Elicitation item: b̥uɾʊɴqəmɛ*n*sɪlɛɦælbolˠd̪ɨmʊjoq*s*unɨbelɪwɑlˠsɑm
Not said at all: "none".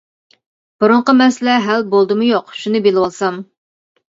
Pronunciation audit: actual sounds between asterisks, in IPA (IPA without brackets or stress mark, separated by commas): none, ʃ